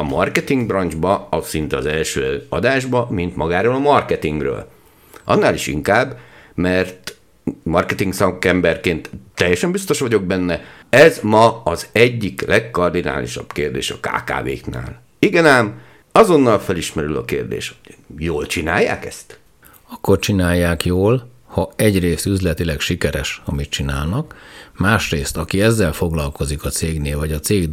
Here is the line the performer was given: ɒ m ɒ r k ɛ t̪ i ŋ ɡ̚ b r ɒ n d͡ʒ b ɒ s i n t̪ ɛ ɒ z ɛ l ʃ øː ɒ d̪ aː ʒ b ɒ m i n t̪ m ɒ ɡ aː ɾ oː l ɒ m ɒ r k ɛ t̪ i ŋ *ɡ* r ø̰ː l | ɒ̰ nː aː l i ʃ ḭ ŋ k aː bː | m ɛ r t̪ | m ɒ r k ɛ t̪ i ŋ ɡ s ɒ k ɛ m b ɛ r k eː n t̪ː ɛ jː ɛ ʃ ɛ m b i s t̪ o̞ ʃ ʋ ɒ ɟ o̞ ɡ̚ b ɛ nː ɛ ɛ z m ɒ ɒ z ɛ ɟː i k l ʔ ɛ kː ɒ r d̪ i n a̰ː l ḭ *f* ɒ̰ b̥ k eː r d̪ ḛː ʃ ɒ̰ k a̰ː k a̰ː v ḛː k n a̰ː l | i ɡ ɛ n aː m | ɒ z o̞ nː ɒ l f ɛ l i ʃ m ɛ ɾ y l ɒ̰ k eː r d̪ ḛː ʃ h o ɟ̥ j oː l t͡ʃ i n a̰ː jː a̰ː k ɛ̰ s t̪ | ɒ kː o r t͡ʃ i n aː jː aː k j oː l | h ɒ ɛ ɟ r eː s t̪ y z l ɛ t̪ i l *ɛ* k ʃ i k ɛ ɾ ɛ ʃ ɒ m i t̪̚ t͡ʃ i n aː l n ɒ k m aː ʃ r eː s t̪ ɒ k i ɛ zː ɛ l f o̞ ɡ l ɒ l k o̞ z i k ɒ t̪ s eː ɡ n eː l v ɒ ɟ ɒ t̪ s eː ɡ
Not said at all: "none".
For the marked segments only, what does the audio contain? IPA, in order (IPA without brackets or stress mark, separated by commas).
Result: ɡ, ʃ, ɛ